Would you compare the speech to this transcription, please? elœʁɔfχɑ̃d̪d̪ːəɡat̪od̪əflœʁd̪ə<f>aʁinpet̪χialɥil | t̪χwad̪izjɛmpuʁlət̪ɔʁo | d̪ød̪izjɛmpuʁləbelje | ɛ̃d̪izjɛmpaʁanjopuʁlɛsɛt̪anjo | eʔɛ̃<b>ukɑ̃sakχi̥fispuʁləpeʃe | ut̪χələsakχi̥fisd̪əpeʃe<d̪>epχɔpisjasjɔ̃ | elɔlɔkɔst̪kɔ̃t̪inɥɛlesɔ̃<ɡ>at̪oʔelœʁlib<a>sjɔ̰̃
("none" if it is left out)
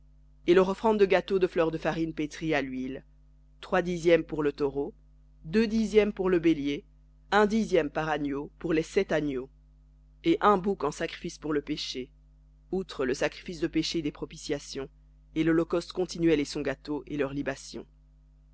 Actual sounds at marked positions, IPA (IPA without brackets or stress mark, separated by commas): f, b, d̪, ɡ, a